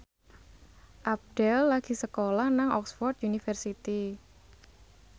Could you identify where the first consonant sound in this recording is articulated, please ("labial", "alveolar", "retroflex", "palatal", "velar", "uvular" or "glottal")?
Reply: glottal